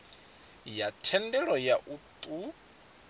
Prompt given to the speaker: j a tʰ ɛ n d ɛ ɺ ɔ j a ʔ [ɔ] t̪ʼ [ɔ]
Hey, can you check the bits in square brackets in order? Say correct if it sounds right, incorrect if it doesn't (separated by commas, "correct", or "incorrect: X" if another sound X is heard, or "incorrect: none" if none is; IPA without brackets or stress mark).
incorrect: u, incorrect: u